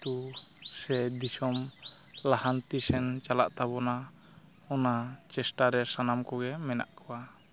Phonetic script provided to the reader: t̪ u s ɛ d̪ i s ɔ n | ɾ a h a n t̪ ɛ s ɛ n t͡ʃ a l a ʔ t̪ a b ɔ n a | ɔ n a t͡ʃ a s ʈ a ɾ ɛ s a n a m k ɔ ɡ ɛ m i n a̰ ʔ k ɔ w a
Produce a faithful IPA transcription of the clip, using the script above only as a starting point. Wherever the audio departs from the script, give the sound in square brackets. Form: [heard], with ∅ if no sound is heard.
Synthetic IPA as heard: t̪ u s ɛ d̪ i s ɔ [m] | [l] a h a n t̪ [i] s ɛ n t͡ʃ a l a ʔ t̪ a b ɔ n a | ɔ n a t͡ʃ [ɛ] s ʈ a ɾ ɛ s a n a m k ɔ ɡ ɛ m [ɛ] n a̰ ʔ k ɔ w a